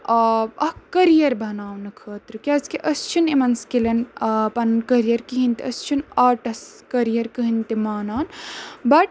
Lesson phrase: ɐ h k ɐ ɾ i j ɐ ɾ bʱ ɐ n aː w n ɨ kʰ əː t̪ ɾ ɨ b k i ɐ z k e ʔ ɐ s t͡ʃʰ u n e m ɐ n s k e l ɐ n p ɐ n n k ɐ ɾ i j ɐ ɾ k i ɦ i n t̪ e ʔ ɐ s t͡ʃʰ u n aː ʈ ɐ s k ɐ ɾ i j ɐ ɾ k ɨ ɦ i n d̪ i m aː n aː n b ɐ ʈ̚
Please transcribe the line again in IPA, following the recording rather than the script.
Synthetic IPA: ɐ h k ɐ ɾ i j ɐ ɾ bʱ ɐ n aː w n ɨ kʰ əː t̪ ɾ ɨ k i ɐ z k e ʔ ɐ s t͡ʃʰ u n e m ɐ n s k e l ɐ n p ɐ n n k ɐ ɾ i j ɐ ɾ k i ɦ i n t̪ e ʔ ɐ s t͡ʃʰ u n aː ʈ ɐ s k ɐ ɾ i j ɐ ɾ k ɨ ɦ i n t̪ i m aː n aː n b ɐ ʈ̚